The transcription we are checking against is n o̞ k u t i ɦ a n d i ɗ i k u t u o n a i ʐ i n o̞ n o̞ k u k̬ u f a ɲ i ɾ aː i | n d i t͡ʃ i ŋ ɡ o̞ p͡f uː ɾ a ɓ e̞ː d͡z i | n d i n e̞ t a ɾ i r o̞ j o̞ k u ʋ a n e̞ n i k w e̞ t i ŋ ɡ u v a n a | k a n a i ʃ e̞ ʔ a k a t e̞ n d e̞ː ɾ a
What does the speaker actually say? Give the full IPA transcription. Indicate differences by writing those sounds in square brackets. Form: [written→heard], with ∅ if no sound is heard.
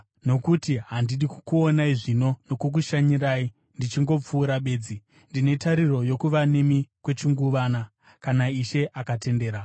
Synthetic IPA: n o̞ k u t i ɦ a n d i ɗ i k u [t→k] u o n a i ʐ i n o̞ n o̞ k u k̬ u [f→ʃ] a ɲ i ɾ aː i | n d i t͡ʃ i ŋ ɡ o̞ p͡f uː ɾ a ɓ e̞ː d͡z i | n d i n e̞ t a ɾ i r o̞ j o̞ k u ʋ a n e̞ [n→m] i k w e̞ [t→t͡ʃ] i ŋ ɡ u [v→ʋ] a n a | k a n a i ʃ e̞ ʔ a k a t e̞ n d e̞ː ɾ a